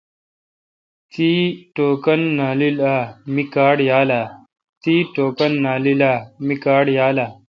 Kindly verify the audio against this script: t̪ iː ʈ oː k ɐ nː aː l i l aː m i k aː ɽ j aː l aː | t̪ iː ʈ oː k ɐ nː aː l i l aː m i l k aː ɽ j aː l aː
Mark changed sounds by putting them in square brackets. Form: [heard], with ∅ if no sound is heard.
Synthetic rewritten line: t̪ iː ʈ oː k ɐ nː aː l i l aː m i k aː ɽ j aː l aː | t̪ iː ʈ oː k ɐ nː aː l i l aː m i [∅] k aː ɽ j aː l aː

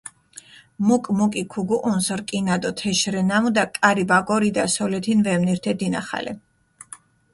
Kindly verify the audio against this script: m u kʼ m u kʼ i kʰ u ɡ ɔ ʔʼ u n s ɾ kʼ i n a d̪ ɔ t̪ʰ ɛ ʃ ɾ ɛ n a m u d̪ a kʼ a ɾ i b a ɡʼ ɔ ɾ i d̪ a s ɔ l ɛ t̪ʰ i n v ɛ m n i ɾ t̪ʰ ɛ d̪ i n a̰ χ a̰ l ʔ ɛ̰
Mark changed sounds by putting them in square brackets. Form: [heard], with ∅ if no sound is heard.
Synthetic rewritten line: m u kʼ m u kʼ i kʰ u ɡ [u] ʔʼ u n s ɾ kʼ i n a d̪ ɔ t̪ʰ ɛ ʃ ɾ ɛ n a m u d̪ a kʼ a ɾ i b a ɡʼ ɔ ɾ i d̪ a s ɔ l ɛ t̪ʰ i n v ɛ m n i ɾ t̪ʰ ɛ d̪ i n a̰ χ a̰ l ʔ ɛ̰

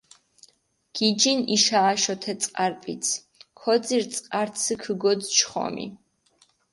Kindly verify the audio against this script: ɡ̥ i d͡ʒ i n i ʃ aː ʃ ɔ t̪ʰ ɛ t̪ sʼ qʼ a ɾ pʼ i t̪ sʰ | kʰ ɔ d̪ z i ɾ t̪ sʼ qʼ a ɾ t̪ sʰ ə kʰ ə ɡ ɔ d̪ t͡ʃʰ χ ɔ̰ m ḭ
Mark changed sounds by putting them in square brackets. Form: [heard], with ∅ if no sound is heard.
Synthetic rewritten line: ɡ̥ i d͡ʒ i n i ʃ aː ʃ ɔ t̪ʰ ɛ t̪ sʼ qʼ a ɾ pʼ i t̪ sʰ | kʰ ɔ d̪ z i ɾ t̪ sʼ qʼ a ɾ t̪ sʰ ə kʰ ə ɡ ɔ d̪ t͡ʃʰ χ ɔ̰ m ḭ

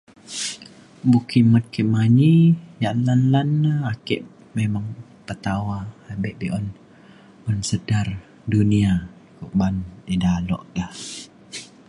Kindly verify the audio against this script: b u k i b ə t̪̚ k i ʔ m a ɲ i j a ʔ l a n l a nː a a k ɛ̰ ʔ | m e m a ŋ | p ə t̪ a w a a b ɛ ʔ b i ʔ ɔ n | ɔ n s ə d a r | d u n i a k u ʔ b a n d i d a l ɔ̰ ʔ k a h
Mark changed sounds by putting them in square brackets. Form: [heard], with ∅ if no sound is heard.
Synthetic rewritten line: b u k i [m] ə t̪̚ k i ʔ m a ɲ i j a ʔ l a n l a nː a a k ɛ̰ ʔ | m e m a ŋ | p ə t̪ a w a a b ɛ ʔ b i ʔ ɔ n | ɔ n s ə d a r | d u n i a k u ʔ b a n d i d a l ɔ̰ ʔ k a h

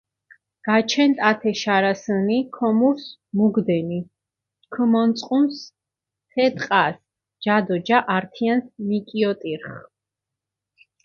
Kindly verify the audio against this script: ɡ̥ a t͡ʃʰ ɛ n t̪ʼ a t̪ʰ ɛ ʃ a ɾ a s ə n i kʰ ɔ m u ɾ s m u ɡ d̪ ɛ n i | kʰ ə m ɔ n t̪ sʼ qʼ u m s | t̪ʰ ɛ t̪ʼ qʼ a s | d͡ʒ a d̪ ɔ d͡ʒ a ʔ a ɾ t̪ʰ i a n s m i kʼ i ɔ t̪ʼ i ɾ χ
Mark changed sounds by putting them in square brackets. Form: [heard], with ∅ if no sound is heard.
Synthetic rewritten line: ɡ̥ a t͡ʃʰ ɛ n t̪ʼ a t̪ʰ ɛ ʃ a ɾ a s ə n i kʰ ɔ m u ɾ s m u ɡ d̪ ɛ n i | kʰ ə m ɔ n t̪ sʼ qʼ u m s | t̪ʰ ɛ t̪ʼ qʼ a s | d͡ʒ a d̪ ɔ d͡ʒ a ʔ a ɾ t̪ʰ i a n s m i kʼ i ɔ t̪ʼ i ɾ χ

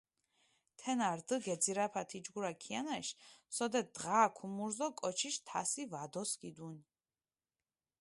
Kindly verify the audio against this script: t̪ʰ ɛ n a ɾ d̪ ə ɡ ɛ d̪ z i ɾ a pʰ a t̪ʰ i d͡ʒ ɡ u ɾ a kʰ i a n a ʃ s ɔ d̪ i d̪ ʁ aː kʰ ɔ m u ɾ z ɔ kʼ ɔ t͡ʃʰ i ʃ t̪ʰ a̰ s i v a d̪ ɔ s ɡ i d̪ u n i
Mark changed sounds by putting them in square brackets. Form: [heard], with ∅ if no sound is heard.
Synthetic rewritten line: t̪ʰ ɛ n a ɾ d̪ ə ɡ ɛ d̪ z i ɾ a pʰ a t̪ʰ i d͡ʒ ɡ u ɾ a kʰ i a n a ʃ s ɔ d̪ [ɛ] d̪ ʁ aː kʰ [u] m u ɾ z ɔ kʼ ɔ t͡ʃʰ i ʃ t̪ʰ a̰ s i v a d̪ ɔ s ɡ i d̪ u n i

